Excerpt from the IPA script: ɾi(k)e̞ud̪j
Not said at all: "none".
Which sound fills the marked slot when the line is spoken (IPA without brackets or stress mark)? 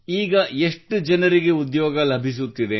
ɡ